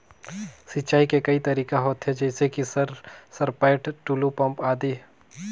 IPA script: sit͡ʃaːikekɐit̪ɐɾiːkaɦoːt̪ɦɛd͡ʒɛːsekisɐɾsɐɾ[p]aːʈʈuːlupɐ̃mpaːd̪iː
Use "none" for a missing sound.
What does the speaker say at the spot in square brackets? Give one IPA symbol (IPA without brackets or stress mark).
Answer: p